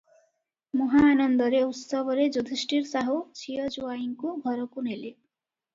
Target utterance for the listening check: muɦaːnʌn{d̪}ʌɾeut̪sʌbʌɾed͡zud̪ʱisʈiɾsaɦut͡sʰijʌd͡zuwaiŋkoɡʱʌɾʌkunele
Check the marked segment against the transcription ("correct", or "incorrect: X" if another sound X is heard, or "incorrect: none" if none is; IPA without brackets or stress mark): correct